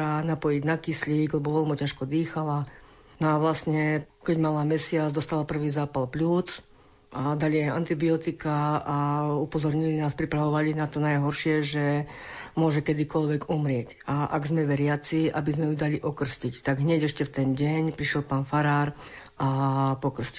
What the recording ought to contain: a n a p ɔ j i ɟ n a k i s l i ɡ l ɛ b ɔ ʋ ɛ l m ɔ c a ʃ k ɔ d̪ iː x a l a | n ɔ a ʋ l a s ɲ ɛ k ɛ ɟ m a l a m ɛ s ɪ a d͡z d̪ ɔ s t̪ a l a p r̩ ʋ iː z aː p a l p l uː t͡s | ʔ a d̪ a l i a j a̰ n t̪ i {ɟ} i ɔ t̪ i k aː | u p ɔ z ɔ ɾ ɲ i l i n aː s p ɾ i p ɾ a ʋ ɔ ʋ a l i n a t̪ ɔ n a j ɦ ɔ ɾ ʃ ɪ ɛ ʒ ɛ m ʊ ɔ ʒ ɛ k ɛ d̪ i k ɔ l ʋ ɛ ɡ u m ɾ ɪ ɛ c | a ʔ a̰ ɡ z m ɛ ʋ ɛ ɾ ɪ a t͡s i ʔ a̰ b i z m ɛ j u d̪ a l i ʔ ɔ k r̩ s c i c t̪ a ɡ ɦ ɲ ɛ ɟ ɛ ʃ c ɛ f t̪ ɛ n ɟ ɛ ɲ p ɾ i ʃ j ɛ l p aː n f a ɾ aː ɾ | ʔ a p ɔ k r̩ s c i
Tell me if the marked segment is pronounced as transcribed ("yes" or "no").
no